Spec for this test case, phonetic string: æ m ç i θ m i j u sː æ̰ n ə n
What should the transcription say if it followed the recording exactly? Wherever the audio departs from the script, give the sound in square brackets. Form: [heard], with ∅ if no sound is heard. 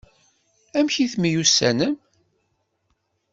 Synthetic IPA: æ m ç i θ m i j u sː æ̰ n ə [m]